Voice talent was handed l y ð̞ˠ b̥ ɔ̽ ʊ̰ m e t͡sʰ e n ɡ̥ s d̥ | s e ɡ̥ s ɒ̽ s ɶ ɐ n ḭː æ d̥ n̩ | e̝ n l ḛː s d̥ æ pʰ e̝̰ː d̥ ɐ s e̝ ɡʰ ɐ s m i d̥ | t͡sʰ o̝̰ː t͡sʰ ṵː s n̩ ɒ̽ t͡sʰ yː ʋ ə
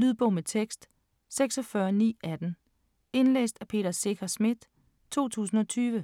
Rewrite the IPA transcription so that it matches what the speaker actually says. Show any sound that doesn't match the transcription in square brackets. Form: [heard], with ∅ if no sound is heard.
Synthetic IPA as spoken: l y ð̞ˠ b̥ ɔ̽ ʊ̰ m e t͡sʰ e [∅] ɡ̥ s d̥ | s e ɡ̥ s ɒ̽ [f] ɶ ɐ n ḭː æ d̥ n̩ | e̝ n l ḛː s d̥ æ pʰ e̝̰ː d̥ ɐ s e̝ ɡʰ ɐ s m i d̥ | t͡sʰ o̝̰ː t͡sʰ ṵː s n̩ ɒ̽ t͡sʰ yː ʋ ə